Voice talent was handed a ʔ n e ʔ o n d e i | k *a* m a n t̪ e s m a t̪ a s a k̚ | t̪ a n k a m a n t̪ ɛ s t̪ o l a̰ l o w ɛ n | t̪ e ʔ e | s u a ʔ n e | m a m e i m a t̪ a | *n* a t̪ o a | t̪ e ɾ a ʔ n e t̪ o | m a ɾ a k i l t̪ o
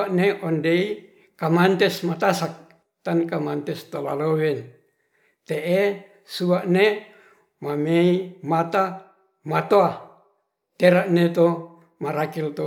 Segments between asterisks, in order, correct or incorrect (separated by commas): correct, incorrect